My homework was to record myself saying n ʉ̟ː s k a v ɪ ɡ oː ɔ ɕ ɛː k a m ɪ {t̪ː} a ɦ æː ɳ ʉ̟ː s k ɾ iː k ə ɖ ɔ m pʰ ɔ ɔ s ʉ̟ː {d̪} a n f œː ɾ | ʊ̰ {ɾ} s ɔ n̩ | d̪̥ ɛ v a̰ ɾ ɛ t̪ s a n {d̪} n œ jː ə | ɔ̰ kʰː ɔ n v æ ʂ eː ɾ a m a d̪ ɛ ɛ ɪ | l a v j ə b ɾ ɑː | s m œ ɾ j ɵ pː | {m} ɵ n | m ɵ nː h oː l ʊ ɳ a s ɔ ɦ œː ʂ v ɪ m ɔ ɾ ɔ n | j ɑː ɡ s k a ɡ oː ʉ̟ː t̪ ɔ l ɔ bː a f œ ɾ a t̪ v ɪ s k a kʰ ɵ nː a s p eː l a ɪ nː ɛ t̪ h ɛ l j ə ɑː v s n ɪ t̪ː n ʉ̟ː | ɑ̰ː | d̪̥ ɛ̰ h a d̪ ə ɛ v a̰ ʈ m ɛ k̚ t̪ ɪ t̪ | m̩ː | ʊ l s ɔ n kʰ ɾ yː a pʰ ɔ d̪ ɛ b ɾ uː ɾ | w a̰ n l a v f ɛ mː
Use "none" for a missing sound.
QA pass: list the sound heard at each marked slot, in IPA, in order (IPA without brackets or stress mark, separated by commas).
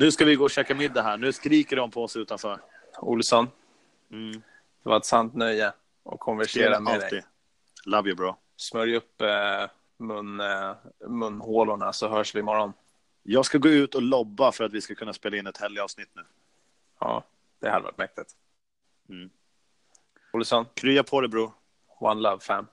d̪ː, t̪, l, t̪, m